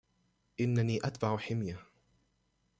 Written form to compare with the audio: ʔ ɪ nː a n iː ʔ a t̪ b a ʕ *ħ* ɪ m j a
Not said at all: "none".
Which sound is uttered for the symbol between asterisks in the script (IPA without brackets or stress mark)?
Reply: ħ